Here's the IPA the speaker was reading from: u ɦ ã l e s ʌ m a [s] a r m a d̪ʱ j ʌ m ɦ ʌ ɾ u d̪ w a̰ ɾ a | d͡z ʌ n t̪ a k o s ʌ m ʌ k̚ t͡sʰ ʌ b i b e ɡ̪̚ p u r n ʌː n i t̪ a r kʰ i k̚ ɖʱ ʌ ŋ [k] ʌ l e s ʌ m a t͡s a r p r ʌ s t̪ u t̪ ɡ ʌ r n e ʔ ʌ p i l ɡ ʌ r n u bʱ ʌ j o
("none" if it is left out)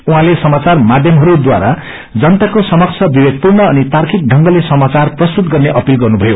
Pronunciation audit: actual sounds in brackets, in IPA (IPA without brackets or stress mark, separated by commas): t͡s, ɡ